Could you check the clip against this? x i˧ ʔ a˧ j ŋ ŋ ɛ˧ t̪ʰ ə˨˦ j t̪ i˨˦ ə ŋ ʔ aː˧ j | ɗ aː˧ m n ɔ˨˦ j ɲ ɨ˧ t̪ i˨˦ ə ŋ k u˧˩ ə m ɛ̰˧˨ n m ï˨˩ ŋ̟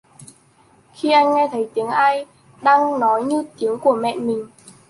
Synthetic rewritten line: x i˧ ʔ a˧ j ŋ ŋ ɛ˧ t̪ʰ ə˨˦ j t̪ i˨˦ ə ŋ ʔ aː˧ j | ɗ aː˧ ŋ n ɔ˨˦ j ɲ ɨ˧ t̪ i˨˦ ə ŋ k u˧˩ ə m ɛ̰˧˨ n m ï˨˩ ŋ̟